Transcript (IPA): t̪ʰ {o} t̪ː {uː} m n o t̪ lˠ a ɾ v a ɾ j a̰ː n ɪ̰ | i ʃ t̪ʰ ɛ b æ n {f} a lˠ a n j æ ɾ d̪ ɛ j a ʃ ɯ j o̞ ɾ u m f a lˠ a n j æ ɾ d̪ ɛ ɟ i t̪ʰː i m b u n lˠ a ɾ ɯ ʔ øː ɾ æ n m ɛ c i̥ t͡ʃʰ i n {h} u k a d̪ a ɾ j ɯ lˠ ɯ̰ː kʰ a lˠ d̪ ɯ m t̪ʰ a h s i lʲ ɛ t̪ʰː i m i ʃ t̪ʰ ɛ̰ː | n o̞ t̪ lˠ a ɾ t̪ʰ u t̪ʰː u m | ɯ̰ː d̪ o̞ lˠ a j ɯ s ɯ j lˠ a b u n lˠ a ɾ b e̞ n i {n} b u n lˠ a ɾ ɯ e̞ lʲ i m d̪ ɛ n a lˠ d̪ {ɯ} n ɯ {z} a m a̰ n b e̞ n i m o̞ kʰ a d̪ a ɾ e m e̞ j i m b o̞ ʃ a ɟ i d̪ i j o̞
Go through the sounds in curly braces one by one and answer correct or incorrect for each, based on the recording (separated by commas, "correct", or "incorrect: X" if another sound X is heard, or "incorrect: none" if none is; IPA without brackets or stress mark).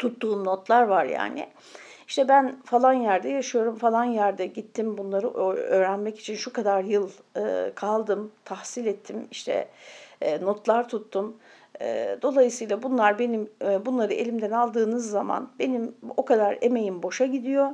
incorrect: u, correct, correct, incorrect: ʃ, incorrect: m, incorrect: ɯː, incorrect: zː